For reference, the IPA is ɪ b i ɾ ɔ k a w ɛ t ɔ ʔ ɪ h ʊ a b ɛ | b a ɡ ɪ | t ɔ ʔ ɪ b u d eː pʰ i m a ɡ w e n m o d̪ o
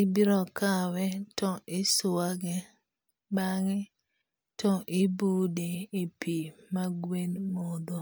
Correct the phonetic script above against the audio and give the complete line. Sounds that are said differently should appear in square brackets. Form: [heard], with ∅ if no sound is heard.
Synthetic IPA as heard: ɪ b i ɾ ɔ k a w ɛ t ɔ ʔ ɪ [s] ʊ a [ɡ] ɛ | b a [ŋ] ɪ | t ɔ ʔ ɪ b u d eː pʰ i m a ɡ w e n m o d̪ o

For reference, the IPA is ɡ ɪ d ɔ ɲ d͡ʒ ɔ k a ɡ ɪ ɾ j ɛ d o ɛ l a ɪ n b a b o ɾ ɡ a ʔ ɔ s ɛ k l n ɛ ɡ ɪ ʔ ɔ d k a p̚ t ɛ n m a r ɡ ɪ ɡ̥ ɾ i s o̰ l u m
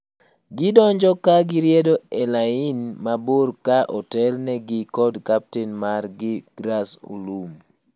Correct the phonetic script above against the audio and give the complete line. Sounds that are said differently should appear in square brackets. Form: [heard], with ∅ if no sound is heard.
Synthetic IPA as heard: ɡ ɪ d ɔ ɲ d͡ʒ ɔ k a ɡ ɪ ɾ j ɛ d o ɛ l a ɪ n [m] a b o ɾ [k] a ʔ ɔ [t] ɛ [∅] l n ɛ ɡ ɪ [k] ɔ d k a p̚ t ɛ n m a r ɡ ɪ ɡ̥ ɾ [a] s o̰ l u m

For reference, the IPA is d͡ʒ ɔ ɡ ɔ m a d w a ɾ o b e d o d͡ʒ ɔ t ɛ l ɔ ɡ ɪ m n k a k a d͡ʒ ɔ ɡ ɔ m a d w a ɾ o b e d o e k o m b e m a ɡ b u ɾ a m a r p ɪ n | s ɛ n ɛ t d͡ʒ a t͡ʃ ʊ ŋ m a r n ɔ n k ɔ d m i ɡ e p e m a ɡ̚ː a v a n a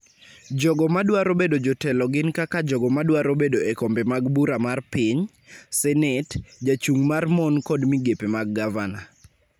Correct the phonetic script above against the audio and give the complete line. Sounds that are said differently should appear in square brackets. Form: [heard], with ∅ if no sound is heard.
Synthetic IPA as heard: d͡ʒ ɔ ɡ ɔ m a d w a ɾ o b e d o d͡ʒ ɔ t ɛ l ɔ ɡ ɪ [∅] n k a k a d͡ʒ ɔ ɡ ɔ m a d w a ɾ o b e d o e k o m b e m a ɡ b u ɾ a m a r p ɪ [ɲ] | s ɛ n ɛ t d͡ʒ a t͡ʃ [u] ŋ m a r [m] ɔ n k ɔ d m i ɡ e p e m a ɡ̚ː a v a n a

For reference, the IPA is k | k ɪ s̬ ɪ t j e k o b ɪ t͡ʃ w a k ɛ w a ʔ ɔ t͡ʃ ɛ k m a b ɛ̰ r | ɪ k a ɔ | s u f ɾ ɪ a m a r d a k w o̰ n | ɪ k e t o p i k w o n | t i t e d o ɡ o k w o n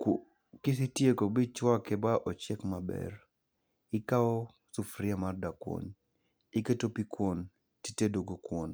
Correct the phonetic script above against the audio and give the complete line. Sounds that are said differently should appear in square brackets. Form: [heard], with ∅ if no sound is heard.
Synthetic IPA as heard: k | k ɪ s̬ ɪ t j e k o b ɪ t͡ʃ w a k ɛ [b] a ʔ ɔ t͡ʃ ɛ k m a b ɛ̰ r | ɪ k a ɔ | s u f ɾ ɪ a m a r d a k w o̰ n | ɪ k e t o p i k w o n | t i t e d o ɡ o k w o n

